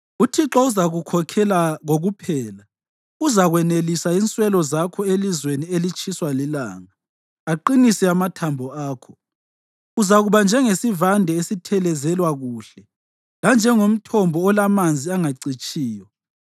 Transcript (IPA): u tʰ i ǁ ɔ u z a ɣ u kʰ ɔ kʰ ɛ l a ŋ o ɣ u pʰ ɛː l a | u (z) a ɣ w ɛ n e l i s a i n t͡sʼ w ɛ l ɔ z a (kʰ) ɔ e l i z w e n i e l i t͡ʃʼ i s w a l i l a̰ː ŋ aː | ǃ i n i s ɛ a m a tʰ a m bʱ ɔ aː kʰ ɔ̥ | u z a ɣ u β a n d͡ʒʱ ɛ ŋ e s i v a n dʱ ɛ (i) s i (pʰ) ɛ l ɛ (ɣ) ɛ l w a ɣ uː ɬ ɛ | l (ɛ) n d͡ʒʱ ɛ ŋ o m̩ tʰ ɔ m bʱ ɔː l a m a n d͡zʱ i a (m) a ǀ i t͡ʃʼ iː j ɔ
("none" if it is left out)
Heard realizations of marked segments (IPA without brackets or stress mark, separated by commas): z, kʰ, e, tʰ, z, a, ŋ